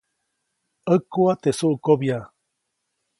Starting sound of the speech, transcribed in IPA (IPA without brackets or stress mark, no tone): ə